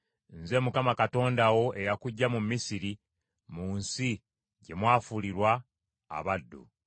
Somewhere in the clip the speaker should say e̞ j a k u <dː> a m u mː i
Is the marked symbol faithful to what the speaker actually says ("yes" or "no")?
no